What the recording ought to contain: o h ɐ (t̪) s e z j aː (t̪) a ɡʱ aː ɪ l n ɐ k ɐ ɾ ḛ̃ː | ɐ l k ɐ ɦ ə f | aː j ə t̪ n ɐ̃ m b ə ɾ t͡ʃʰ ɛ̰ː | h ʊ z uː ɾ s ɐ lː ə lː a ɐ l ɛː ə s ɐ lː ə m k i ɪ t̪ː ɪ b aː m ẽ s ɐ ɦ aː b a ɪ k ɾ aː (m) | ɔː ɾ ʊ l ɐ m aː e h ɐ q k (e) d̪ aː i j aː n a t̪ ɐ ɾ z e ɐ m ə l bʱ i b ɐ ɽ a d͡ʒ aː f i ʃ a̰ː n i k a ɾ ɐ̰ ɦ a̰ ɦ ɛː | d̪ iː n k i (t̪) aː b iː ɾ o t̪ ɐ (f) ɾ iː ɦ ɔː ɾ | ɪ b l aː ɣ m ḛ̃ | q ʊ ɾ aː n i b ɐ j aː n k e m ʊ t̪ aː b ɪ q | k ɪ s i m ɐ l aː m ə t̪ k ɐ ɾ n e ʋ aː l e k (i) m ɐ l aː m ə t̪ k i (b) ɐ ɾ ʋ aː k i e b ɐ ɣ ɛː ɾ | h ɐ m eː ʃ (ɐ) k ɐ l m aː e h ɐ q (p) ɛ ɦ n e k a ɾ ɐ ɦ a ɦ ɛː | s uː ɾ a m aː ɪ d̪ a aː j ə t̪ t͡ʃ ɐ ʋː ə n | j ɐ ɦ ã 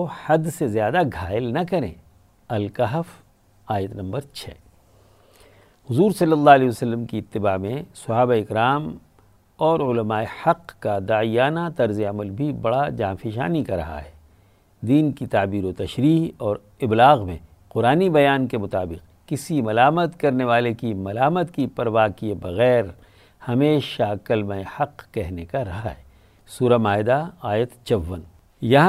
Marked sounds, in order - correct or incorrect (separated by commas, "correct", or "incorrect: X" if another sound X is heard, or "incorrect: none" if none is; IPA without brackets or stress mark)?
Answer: incorrect: d̪, incorrect: d̪, correct, incorrect: a, correct, incorrect: ʃ, correct, incorrect: p, incorrect: a, incorrect: k